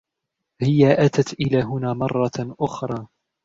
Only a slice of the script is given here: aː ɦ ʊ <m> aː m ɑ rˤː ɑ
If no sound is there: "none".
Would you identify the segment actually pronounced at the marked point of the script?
n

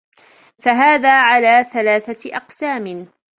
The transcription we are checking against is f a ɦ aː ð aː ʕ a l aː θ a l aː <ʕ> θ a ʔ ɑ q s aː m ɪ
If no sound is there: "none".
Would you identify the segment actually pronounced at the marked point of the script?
none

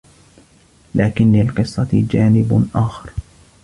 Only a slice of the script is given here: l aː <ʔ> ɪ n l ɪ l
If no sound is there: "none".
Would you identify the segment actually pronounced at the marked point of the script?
k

